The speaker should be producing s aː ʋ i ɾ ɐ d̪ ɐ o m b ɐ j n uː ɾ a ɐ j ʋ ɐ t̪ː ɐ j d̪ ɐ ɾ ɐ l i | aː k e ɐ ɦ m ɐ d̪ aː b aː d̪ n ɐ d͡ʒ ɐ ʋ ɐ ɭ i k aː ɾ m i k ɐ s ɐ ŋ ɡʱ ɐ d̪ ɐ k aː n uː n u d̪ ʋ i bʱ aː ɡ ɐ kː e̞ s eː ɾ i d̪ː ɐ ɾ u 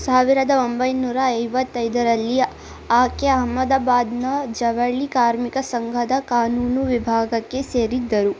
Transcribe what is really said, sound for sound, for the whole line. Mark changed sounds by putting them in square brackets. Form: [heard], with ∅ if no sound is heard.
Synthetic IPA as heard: s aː ʋ i ɾ ɐ d̪ ɐ o m b ɐ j n uː ɾ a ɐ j ʋ ɐ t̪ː ɐ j d̪ ɐ ɾ ɐ [lː] i | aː k e ɐ ɦ m ɐ d̪ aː b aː d̪ n ɐ d͡ʒ ɐ ʋ ɐ ɭ i k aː ɾ m i k ɐ s ɐ ŋ ɡʱ ɐ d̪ ɐ k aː n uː n u [∅] ʋ i bʱ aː ɡ ɐ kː e̞ s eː ɾ i d̪ː ɐ ɾ u